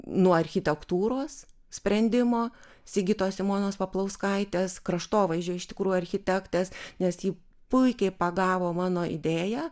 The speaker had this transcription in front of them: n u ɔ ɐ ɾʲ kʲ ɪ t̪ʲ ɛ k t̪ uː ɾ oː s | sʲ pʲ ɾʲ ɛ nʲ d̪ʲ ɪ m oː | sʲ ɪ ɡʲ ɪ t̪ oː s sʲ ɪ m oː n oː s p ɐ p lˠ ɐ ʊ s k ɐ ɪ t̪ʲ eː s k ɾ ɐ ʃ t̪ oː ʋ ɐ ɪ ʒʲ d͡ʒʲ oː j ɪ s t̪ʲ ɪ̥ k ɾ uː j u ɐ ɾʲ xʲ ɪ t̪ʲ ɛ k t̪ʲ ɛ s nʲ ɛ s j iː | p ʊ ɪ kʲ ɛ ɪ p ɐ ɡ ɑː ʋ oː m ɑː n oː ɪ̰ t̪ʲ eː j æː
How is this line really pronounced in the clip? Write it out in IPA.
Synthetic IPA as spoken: n u ɔ ɐ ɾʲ xʲ ɪ t̪ʲ ɛ k t̪ uː ɾ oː s | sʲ pʲ ɾʲ ɛ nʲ d̪ʲ ɪ m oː | sʲ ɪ ɡʲ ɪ t̪ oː s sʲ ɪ m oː n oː s p ɐ p lˠ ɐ ʊ s k ɐ ɪ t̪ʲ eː s k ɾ ɐ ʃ t̪ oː ʋ ɐ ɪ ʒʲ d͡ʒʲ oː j ɪ ʃ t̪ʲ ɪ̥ k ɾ uː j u ɐ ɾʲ xʲ ɪ t̪ʲ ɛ k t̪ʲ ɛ s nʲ ɛ s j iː | p ʊ ɪ kʲ ɛ ɪ p ɐ ɡ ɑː ʋ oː m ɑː n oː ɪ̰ d̪ʲ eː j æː